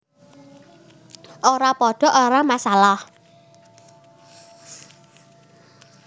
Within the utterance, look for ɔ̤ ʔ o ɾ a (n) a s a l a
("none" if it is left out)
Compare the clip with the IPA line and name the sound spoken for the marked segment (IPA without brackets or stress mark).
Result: m